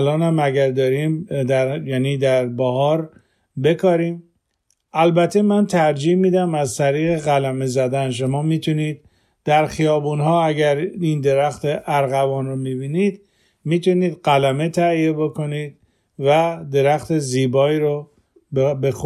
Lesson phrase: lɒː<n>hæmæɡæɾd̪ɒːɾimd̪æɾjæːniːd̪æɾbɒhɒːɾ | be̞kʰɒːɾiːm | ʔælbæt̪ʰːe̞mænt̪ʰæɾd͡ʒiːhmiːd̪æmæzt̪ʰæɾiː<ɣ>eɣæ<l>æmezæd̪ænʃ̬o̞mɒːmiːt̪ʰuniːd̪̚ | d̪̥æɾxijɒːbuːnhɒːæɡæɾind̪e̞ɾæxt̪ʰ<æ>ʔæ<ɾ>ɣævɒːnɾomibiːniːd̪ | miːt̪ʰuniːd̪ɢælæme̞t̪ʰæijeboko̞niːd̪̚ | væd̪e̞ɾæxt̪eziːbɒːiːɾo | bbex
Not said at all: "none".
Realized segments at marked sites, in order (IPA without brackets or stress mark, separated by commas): n, ɣ, l, e, ɾ